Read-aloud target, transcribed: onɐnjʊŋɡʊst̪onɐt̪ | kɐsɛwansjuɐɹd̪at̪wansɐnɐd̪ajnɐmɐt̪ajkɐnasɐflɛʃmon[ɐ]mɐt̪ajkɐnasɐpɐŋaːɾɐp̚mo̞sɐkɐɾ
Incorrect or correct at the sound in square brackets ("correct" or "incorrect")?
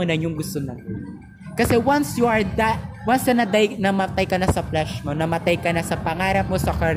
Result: correct